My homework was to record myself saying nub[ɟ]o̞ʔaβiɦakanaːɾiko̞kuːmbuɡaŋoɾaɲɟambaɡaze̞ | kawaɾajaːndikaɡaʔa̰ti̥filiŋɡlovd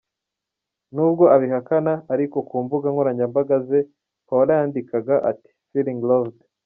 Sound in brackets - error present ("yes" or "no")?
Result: yes